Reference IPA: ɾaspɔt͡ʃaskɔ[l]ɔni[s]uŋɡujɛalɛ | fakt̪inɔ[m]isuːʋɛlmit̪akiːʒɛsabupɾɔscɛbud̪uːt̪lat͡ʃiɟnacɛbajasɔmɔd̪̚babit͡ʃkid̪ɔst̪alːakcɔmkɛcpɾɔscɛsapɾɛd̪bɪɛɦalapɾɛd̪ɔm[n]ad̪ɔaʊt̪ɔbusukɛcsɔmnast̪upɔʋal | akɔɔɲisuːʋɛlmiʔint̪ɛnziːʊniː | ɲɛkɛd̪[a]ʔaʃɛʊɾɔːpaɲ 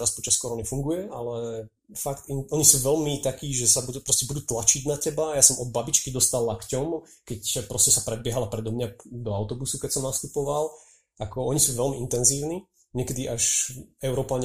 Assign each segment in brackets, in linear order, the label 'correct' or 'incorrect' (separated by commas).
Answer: incorrect, incorrect, incorrect, incorrect, incorrect